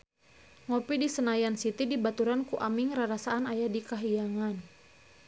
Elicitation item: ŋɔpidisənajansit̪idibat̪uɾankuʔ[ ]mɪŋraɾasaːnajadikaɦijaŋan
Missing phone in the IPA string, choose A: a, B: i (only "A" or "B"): A